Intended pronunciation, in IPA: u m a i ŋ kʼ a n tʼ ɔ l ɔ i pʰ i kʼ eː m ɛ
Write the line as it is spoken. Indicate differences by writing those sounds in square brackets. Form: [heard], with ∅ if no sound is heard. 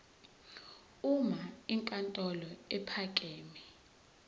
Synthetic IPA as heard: u m a i ŋ kʼ a n tʼ ɔ l ɔ [ɛ] pʰ [a] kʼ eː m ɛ